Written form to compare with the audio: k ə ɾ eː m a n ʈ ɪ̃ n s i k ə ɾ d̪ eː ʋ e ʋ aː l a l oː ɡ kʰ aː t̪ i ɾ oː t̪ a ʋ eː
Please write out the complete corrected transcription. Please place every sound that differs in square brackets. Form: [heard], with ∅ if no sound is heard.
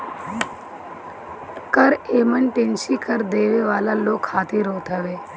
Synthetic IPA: k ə ɾ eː m [ə] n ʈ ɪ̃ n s i k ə ɾ d̪ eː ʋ e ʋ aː l a l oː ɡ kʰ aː t̪ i ɾ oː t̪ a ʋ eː